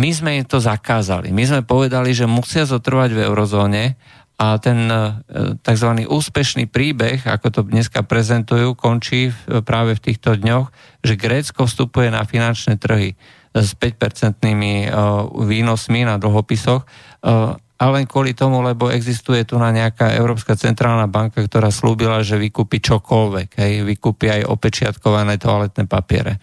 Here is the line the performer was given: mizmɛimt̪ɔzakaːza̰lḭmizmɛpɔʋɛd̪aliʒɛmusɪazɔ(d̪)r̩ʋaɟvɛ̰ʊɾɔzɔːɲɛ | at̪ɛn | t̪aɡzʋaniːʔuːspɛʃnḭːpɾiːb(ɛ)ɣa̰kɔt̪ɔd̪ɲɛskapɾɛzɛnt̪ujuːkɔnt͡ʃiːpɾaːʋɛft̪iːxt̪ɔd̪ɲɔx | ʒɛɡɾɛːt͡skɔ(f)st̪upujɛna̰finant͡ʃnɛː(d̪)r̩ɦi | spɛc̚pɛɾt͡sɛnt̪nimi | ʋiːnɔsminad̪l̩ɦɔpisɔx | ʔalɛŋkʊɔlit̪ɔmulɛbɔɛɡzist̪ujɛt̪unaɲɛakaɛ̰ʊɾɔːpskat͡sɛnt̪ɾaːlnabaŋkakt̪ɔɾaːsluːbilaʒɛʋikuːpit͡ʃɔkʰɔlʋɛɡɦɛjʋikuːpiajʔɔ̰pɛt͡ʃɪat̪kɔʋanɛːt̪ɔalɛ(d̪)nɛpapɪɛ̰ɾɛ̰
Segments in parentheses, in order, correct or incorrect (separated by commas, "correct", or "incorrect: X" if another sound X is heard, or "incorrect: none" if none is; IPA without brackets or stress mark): incorrect: t̪, correct, correct, incorrect: t̪, incorrect: t̪